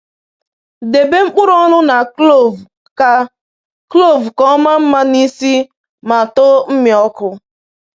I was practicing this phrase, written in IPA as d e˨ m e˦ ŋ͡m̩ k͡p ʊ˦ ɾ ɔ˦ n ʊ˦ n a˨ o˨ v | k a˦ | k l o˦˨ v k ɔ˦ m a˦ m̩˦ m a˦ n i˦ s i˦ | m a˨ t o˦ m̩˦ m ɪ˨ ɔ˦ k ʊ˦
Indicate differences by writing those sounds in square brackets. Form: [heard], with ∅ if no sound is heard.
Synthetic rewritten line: d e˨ [b] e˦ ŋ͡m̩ k͡p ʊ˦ ɾ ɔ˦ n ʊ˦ n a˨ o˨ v | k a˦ | k l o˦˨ v k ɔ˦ m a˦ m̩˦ m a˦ n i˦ s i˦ | m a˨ t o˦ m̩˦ m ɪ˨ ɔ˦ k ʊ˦